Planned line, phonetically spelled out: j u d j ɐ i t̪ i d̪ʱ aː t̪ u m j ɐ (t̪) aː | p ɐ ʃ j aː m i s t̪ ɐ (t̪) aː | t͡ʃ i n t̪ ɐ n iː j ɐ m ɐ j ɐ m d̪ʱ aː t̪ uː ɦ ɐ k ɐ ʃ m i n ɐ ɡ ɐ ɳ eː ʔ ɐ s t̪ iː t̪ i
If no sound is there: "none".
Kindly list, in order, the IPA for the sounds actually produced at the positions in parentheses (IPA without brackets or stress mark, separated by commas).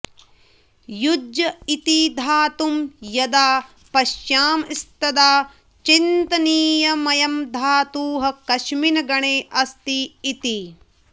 d̪, d̪